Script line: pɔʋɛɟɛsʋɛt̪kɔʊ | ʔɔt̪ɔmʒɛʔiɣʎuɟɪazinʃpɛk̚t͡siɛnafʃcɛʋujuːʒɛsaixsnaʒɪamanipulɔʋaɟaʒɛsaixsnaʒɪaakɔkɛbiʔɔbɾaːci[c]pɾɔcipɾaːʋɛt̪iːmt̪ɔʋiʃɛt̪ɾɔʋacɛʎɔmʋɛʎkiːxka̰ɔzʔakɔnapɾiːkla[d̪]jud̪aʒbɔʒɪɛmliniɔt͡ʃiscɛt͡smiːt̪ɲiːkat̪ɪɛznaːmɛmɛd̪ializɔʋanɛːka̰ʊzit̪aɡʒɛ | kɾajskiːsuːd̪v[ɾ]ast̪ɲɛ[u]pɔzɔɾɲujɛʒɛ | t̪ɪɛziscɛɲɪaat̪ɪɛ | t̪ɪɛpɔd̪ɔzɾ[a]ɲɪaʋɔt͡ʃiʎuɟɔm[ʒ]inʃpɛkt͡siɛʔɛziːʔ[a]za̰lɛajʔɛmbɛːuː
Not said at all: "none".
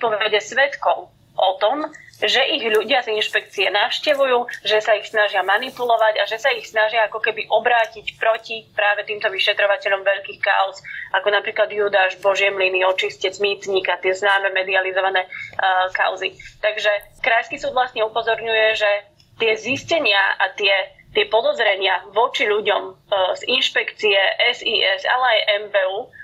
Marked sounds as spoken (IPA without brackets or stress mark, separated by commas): c, d̪, l, u, ɛ, z, ɛ